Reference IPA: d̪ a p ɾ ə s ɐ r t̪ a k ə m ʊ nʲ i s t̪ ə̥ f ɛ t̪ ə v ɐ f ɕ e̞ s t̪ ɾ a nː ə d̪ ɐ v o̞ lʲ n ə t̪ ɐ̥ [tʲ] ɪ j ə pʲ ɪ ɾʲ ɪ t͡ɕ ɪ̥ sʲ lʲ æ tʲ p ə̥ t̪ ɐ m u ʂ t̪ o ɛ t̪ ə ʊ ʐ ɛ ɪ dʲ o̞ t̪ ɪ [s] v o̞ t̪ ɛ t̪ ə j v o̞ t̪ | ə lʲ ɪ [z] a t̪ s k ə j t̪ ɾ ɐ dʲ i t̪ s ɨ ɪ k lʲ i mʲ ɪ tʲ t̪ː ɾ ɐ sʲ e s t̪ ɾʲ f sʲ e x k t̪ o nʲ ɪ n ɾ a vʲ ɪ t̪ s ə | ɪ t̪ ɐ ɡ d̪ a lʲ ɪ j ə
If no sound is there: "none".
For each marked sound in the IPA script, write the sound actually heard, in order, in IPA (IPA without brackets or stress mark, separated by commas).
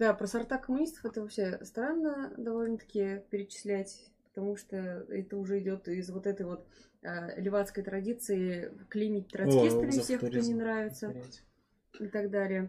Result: kʲ, z, v